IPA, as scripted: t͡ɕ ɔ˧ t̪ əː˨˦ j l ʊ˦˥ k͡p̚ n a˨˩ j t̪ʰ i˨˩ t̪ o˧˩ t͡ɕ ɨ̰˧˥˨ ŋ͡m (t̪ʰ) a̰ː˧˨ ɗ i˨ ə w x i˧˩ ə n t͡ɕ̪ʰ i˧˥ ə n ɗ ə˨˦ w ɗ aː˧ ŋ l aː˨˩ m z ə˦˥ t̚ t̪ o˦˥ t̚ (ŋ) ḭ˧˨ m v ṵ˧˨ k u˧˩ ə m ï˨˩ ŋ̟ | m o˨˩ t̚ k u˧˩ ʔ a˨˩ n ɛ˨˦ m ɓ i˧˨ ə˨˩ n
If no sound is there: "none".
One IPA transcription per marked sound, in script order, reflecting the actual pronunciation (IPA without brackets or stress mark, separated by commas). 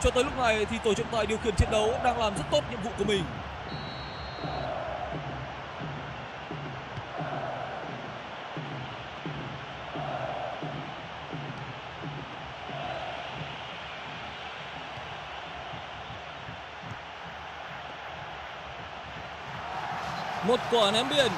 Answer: t̪, ɲ